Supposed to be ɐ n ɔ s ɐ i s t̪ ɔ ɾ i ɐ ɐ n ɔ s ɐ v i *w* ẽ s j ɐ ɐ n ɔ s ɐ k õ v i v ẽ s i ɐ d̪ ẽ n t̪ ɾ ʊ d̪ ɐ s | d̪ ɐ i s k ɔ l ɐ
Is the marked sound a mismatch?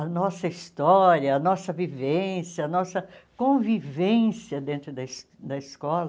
yes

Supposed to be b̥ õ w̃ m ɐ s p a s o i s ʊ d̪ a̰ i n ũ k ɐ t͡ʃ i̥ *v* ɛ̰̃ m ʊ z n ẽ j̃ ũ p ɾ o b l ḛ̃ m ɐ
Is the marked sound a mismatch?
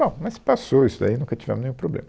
no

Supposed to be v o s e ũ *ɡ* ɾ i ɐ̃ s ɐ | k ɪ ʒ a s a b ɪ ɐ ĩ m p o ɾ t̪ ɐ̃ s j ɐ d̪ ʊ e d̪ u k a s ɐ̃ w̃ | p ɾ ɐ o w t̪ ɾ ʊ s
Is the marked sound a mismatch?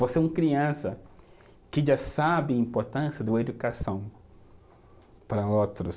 yes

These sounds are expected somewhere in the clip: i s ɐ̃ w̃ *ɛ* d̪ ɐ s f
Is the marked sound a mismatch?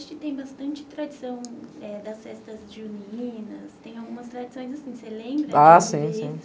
no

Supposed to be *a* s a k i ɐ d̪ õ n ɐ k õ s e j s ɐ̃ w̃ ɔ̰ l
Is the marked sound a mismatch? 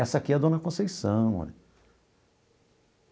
yes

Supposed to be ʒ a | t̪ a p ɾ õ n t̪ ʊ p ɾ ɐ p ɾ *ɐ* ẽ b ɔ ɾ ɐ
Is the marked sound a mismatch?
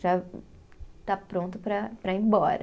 no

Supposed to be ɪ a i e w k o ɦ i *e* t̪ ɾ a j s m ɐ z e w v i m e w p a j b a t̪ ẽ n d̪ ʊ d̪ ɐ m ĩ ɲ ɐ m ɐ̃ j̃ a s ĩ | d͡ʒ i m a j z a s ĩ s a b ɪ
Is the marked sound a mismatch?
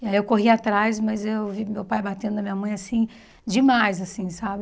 yes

